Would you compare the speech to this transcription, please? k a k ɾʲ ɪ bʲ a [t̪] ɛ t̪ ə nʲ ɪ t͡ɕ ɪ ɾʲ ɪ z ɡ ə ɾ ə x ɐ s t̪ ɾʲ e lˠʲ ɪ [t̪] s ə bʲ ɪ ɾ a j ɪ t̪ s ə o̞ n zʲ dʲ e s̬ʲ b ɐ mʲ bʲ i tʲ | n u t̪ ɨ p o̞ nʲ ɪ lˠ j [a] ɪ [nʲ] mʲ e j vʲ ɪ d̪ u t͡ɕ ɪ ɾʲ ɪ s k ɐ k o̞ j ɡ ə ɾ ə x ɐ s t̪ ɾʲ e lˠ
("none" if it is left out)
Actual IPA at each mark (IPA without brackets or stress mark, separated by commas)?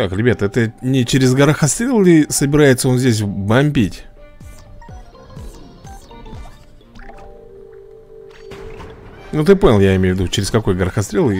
t̪, none, a, none